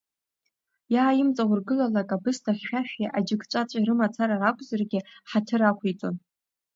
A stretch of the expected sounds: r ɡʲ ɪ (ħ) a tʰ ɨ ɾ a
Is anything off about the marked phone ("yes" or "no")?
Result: no